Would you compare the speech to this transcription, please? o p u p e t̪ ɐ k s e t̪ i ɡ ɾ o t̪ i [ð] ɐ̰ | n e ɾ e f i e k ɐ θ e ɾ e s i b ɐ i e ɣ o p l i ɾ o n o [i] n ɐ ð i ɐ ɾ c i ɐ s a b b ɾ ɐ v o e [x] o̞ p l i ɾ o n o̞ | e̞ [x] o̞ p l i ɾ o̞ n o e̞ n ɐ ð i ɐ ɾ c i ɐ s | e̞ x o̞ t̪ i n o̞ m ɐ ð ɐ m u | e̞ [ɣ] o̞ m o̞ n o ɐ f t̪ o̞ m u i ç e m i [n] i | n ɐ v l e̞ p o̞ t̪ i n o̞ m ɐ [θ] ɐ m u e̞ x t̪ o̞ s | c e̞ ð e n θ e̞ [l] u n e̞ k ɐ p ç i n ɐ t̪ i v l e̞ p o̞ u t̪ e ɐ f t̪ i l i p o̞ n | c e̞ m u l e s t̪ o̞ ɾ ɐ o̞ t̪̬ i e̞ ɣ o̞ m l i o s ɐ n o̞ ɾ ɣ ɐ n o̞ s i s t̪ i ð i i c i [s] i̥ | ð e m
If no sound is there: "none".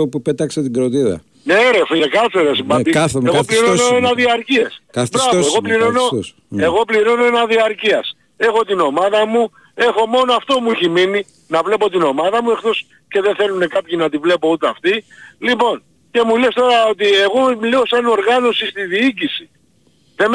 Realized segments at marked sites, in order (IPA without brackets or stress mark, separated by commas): ð, e, ɣ, ɣ, x, n, ð, l, s